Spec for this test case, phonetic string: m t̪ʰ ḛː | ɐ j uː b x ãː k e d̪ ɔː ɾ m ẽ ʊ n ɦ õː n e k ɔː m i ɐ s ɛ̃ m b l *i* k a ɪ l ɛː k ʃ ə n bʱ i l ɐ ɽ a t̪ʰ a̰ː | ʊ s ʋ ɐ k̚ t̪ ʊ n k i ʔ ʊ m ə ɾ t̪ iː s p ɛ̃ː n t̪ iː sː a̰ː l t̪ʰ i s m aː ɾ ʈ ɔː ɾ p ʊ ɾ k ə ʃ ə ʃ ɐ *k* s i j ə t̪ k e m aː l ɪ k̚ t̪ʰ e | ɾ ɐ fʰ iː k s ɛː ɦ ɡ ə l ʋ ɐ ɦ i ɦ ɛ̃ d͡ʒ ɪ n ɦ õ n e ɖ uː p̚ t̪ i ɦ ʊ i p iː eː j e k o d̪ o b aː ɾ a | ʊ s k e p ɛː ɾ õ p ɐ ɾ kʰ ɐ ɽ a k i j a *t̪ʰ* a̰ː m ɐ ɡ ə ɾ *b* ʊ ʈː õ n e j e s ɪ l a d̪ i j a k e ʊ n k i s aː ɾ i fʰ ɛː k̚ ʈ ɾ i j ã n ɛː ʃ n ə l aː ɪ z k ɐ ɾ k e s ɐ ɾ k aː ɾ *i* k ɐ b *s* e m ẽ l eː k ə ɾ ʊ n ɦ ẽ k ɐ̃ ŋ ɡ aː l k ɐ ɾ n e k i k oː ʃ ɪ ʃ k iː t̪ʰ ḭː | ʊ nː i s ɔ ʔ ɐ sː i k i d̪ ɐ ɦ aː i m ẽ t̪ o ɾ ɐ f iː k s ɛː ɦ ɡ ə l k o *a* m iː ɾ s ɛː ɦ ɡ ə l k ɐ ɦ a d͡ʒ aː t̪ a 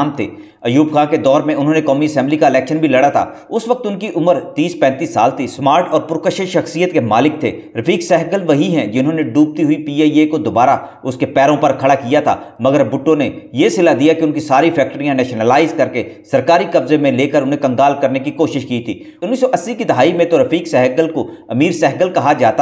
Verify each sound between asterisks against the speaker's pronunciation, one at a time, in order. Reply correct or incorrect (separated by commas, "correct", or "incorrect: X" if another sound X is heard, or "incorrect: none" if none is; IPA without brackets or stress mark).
correct, incorrect: x, correct, correct, correct, incorrect: z, incorrect: ɐ